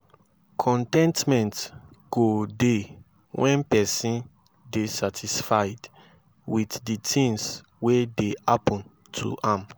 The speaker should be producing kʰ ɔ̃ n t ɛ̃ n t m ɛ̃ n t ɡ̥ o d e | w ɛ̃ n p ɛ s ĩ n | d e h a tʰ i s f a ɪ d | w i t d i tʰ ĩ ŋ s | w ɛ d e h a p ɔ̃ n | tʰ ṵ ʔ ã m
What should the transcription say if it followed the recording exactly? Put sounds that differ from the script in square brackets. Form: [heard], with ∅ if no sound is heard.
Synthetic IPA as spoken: kʰ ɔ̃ n t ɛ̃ n t m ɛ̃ n t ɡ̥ o d e | w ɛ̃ n p ɛ s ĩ n | d e [s] a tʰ i s f a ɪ d | w i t d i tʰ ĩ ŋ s | w [e] d e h a p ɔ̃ n | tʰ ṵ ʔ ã m